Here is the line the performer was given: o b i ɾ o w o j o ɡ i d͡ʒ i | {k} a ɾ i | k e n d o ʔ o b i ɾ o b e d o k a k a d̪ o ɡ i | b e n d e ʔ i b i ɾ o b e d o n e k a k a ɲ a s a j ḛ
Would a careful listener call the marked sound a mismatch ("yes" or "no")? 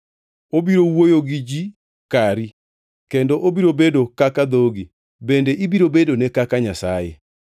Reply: no